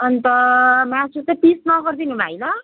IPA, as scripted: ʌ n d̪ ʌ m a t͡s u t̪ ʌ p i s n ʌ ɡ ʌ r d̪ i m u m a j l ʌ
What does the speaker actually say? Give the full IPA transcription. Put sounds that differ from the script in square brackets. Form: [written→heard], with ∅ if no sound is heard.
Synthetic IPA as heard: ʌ n [d̪→t̪] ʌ m a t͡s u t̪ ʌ p i s n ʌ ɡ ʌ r d̪ i [m→n] u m a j l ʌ